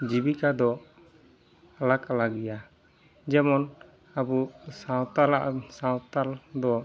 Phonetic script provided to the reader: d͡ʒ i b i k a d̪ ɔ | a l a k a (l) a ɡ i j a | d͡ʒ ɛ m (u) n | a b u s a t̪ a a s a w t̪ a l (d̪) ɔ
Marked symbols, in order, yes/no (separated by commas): yes, no, yes